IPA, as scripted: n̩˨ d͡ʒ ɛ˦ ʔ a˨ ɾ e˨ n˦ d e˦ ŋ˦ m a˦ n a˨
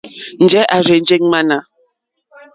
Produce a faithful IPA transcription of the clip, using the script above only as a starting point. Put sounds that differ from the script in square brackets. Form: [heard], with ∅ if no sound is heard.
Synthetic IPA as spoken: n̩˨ d͡ʒ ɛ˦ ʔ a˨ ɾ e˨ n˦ [d͡ʒ] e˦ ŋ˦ m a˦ n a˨